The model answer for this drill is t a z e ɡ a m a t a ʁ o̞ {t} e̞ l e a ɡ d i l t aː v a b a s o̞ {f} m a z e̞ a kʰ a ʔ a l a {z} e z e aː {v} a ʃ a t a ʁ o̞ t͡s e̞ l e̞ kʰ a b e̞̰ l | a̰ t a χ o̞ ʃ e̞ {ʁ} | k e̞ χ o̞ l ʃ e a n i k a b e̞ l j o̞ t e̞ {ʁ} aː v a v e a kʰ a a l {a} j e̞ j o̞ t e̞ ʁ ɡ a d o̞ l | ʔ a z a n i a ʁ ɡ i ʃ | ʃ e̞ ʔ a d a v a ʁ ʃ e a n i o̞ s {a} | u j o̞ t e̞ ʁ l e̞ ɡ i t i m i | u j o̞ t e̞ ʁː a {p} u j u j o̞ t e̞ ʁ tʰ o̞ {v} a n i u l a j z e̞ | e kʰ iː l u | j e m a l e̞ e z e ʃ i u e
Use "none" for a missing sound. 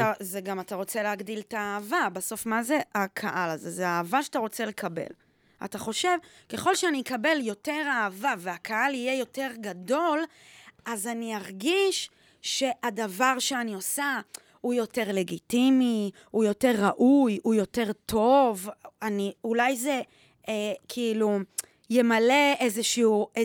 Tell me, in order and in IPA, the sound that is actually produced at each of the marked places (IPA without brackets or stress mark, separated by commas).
t͡s, f, z, v, v, ʁ, i, a, ʔ, v